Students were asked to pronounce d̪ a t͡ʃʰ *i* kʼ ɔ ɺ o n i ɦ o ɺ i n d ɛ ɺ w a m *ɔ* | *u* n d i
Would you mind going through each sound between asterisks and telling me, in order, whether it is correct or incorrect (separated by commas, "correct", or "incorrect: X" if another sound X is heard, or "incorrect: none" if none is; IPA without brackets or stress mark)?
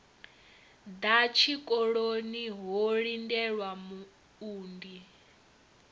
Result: correct, incorrect: u, incorrect: uː